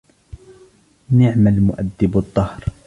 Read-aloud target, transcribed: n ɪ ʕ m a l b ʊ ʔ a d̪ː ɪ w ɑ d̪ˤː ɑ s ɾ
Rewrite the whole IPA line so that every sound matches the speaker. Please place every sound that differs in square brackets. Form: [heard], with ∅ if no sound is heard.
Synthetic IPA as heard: n ɪ ʕ m a l [m] ʊ ʔ a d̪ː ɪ [b] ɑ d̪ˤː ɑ [h] ɾ